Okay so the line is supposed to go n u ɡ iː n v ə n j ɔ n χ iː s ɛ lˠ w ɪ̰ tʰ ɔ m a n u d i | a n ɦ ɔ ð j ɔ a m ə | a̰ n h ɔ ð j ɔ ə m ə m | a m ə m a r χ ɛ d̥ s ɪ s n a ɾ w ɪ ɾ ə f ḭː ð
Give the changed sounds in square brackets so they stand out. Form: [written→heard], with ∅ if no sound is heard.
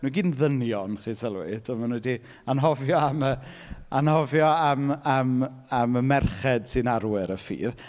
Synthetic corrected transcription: n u ɡ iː n [v→ð] ə n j ɔ n χ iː s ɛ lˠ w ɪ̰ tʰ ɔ m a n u d i | a n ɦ ɔ [ð→v] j ɔ a m ə | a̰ n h ɔ [ð→v] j ɔ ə m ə m | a m ə m [a→ɛ] r χ ɛ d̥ s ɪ [s→∅] n a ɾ w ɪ ɾ ə f ḭː ð